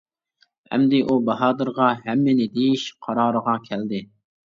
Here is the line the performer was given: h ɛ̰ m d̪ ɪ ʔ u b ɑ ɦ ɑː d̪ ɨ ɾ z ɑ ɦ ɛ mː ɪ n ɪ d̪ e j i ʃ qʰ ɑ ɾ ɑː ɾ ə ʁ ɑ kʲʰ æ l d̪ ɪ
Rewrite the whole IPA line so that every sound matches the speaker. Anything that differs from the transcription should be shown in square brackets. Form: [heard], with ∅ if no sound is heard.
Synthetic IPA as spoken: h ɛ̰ m d̪ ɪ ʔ u b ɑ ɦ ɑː d̪ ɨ ɾ [ʁ] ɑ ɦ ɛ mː ɪ n ɪ d̪ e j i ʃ qʰ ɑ ɾ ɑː ɾ ə ʁ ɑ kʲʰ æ l d̪ ɪ